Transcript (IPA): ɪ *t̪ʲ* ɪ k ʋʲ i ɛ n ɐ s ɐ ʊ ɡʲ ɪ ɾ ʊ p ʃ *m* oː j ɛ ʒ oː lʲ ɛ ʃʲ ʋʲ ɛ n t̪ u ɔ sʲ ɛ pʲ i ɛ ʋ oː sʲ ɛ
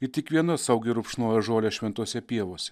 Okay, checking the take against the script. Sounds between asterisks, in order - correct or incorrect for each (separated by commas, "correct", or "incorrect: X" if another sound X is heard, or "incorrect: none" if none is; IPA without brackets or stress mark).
correct, incorrect: n